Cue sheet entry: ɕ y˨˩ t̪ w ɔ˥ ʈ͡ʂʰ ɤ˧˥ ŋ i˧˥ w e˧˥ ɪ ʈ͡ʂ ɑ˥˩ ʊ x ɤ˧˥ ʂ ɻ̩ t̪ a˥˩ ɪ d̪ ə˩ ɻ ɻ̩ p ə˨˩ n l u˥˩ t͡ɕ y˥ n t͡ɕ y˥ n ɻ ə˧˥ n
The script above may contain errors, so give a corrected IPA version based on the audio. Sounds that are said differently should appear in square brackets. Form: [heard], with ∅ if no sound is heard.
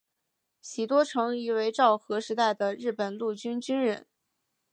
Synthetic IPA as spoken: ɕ [i˨˩] t̪ w ɔ˥ ʈ͡ʂʰ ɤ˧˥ ŋ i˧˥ w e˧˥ ɪ ʈ͡ʂ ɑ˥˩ ʊ x ɤ˧˥ ʂ ɻ̩ t̪ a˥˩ ɪ d̪ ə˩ ɻ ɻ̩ p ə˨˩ n l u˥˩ t͡ɕ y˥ n t͡ɕ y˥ n ɻ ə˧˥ n

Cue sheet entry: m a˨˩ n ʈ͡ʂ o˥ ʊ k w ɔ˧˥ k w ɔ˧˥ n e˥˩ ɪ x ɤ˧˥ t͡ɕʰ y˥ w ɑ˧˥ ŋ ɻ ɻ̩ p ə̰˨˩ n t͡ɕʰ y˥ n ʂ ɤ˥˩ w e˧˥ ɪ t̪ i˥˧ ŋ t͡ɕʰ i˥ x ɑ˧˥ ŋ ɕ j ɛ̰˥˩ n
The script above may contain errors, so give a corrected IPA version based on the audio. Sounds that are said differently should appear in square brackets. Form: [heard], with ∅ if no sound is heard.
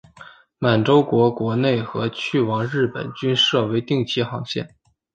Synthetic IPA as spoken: m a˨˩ n ʈ͡ʂ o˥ ʊ k w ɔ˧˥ k w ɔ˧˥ n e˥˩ ɪ x ɤ˧˥ t͡ɕʰ [y˥˩] w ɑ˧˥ ŋ ɻ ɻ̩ p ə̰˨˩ n [t͡ɕ] y˥ n ʂ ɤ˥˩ w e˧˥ ɪ t̪ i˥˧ ŋ t͡ɕʰ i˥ x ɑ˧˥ ŋ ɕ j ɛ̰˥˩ n

